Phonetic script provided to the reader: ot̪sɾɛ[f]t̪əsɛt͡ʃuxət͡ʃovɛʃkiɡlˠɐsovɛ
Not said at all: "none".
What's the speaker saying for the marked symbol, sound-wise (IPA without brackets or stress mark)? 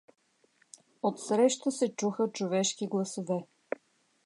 ʃ